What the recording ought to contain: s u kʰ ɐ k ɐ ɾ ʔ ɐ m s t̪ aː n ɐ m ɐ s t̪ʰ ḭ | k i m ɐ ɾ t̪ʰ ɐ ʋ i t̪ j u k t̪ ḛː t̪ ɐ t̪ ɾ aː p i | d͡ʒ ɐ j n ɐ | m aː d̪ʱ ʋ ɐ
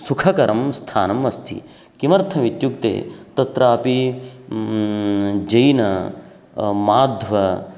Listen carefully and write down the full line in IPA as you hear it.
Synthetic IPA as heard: s u kʰ ɐ k ɐ ɾ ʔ ɐ m s t̪ʰ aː n ɐ m ɐ s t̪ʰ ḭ | k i m ɐ ɾ t̪ʰ ɐ ʋ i t̪ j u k t̪ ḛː t̪ ɐ t̪ ɾ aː p i | d͡ʒ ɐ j n ɐ | m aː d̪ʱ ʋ ɐ

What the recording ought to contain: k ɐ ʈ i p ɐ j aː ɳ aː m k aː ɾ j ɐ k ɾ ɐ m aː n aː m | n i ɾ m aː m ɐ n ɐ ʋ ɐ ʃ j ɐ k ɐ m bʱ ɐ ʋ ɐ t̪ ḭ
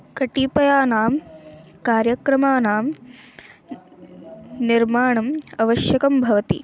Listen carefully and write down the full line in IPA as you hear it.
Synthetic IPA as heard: k ɐ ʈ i p ɐ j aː n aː m k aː ɾ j ɐ k ɾ ɐ m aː n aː m | n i ɾ m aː ɳ ɐ m ɐ ʋ ɐ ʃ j ɐ k ɐ m bʱ ɐ ʋ ɐ t̪ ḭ

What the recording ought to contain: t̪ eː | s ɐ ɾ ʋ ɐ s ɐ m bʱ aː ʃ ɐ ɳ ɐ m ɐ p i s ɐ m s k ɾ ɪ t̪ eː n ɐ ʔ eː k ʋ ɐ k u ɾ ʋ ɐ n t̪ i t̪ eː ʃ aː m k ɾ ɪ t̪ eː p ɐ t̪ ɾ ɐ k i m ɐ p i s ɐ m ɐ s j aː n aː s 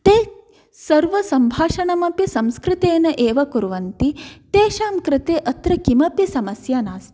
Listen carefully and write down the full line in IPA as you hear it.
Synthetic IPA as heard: t̪ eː | s ɐ ɾ ʋ ɐ s ɐ m bʱ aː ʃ ɐ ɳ ɐ m ɐ p i s ɐ m s k ɾ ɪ t̪ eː n ɐ ʔ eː ʋ ɐ k u ɾ ʋ ɐ n t̪ i t̪ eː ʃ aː m k ɾ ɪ t̪ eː ʔ ɐ t̪ ɾ ɐ k i m ɐ p i s ɐ m ɐ s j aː n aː s

